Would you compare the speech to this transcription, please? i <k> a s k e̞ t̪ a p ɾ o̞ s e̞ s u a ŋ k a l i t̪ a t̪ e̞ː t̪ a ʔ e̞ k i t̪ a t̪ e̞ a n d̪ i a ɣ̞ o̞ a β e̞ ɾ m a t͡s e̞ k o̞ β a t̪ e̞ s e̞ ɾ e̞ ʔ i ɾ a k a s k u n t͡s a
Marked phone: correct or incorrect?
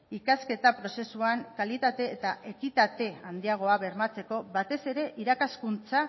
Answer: correct